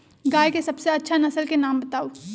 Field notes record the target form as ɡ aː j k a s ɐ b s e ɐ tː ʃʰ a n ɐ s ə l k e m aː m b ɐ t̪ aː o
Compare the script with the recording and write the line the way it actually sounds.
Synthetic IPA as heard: ɡ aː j k e s ɐ b s e ɐ tː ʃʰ a n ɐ s ə l k e n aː m b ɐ t̪ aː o